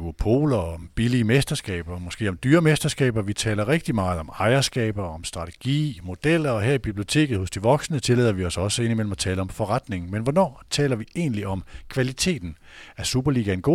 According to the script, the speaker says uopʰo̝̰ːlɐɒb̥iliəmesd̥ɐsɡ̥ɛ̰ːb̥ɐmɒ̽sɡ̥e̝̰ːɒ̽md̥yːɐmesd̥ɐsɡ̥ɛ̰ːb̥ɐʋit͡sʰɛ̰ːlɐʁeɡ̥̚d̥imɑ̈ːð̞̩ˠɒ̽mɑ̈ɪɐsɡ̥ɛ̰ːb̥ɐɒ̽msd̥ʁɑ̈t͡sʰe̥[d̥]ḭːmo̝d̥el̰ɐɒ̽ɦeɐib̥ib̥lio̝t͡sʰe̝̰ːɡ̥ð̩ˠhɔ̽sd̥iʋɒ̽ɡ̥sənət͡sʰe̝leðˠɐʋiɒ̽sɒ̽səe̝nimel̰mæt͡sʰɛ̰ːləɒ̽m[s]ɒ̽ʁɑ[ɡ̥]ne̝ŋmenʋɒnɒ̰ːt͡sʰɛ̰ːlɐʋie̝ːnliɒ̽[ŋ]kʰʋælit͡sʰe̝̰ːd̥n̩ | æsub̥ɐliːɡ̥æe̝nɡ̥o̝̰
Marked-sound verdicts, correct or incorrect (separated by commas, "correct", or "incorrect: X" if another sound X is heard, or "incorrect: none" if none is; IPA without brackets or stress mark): incorrect: ɡ̥, incorrect: f, incorrect: d̥, incorrect: m